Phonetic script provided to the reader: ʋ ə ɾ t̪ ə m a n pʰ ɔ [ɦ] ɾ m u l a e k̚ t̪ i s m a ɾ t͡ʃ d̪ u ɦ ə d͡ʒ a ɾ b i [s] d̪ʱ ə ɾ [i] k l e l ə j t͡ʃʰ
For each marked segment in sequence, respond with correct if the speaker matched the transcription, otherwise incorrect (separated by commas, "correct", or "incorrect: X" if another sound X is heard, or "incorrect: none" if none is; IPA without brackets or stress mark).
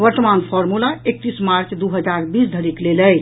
incorrect: none, correct, correct